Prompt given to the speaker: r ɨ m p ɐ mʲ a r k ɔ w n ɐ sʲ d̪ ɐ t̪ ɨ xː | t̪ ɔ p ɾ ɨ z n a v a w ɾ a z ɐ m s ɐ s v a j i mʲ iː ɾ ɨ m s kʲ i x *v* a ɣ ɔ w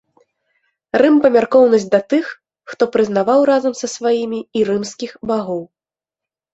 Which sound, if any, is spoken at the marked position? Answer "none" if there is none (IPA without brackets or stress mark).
b